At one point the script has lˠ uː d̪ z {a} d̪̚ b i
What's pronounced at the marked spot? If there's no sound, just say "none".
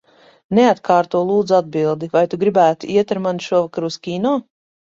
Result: a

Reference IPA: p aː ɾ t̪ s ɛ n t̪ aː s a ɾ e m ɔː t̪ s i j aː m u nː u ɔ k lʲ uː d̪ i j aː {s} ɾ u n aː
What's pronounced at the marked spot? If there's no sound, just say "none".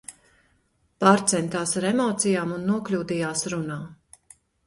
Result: s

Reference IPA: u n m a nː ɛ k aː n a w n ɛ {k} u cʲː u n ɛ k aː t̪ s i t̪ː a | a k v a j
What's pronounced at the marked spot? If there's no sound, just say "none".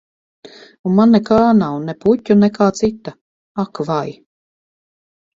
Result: p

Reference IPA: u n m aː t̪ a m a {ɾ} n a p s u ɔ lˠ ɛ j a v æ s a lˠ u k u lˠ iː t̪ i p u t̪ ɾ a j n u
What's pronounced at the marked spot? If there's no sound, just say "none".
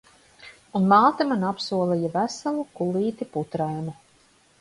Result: none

